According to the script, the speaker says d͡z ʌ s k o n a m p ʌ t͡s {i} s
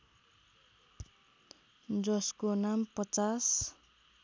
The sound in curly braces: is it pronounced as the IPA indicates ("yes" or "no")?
no